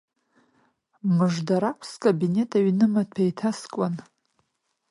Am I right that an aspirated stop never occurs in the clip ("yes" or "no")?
no